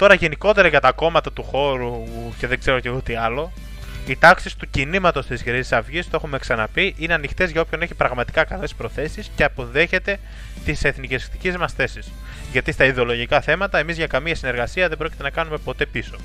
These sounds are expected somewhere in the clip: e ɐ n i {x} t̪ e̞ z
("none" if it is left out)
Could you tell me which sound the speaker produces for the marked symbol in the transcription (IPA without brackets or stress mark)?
x